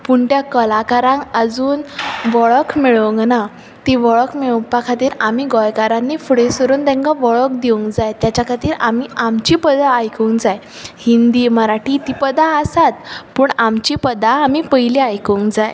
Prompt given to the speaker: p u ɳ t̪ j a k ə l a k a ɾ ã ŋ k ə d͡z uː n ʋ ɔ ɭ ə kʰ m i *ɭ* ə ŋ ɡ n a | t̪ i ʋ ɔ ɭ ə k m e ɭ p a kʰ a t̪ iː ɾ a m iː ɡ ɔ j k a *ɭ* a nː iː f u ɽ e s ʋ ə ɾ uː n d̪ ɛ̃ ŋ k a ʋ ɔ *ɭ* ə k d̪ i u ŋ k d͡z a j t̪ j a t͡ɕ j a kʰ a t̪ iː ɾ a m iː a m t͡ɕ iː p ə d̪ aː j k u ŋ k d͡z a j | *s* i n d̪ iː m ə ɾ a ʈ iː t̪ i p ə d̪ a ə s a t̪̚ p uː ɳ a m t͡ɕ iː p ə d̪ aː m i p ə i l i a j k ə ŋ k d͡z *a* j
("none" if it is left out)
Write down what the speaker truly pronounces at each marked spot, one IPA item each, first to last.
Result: ɭ, ɾ, ɭ, h, a

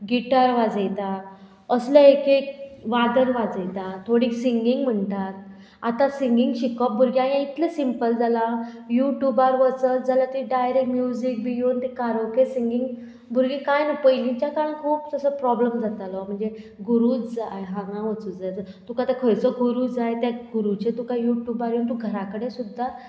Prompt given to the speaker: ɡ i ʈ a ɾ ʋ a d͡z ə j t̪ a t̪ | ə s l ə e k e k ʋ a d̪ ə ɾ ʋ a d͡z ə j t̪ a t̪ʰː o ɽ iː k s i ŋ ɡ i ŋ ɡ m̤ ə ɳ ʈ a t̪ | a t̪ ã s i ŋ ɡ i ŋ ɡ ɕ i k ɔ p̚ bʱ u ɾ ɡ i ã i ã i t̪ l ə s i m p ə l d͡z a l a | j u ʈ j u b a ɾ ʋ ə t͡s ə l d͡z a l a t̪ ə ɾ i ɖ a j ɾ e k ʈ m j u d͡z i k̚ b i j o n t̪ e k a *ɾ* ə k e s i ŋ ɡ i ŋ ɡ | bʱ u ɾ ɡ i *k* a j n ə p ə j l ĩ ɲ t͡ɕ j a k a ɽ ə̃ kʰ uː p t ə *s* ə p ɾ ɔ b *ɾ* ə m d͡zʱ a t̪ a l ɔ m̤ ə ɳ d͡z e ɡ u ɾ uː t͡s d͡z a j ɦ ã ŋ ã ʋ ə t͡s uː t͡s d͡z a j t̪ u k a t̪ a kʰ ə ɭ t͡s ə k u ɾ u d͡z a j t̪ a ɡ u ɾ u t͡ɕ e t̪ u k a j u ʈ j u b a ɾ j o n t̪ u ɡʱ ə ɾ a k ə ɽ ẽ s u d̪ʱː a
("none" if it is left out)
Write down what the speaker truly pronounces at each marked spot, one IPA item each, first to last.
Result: ɾ, k, s, l

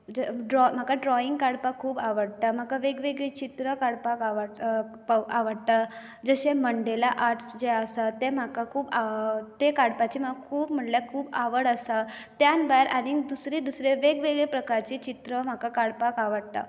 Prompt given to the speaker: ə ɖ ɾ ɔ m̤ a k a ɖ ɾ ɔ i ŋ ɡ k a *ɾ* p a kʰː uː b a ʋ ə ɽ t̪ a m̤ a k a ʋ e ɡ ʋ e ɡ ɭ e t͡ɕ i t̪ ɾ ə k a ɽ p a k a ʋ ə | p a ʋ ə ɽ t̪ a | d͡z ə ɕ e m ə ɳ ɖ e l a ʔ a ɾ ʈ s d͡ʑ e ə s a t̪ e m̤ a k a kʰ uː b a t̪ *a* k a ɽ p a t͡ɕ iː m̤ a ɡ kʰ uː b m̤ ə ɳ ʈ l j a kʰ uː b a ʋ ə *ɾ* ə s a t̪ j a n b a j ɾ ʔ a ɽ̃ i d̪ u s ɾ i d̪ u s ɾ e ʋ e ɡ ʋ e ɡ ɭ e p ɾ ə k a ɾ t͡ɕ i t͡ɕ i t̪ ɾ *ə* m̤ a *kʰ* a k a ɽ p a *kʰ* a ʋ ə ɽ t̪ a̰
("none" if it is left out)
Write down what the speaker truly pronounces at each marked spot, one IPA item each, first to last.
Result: ɽ, e, ɽ, ə, k, k

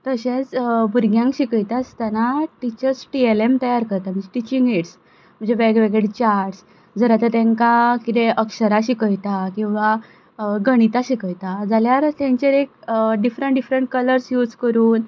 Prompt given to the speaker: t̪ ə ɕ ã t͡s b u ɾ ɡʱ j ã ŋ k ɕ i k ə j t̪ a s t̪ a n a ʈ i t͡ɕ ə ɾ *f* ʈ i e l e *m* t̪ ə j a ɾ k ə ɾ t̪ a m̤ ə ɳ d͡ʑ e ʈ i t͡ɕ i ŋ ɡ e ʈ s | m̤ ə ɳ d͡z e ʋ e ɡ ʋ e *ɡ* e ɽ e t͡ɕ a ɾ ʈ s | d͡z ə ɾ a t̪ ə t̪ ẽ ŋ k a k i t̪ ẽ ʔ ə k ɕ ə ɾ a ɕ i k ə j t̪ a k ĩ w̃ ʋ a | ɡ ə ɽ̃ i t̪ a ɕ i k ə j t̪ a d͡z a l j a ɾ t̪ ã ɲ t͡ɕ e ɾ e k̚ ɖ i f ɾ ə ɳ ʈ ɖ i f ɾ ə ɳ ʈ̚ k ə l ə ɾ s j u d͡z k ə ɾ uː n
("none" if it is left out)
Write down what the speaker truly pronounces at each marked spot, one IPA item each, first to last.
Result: s, m, ɡ

